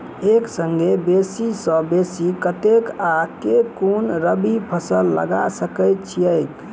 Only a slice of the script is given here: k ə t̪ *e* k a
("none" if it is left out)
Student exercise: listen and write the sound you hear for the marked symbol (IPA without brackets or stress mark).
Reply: e